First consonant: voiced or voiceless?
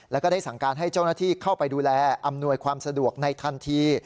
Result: voiced